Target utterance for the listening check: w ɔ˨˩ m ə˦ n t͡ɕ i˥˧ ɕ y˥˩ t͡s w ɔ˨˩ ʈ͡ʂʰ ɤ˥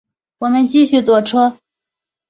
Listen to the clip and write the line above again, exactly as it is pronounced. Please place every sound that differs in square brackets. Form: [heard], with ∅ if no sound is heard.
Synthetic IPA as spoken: w ɔ˨˩ m ə˦ n t͡ɕ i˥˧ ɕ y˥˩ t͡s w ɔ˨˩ ʈ͡ʂʰ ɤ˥